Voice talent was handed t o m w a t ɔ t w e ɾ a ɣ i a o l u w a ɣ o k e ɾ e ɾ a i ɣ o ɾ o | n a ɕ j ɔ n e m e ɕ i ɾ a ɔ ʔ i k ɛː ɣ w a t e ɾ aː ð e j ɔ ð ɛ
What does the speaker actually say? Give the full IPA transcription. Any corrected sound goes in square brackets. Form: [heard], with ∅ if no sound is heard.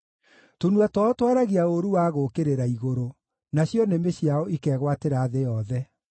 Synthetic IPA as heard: t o [n] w a t ɔ t w [a] ɾ a ɣ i a o [ɾ] u w a ɣ o k e ɾ e ɾ a i ɣ o ɾ o | n a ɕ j ɔ n e m e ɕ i [∅] a ɔ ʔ i k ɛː ɣ w a t e ɾ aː ð e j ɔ ð ɛ